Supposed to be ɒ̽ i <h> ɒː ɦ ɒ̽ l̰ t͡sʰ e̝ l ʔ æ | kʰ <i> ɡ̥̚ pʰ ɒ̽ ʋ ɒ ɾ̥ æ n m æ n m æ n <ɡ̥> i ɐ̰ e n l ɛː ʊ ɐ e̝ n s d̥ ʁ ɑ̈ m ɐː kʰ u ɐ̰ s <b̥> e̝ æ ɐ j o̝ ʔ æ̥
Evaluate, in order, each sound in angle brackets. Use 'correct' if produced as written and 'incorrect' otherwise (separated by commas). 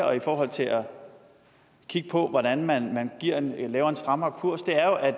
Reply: incorrect, correct, correct, incorrect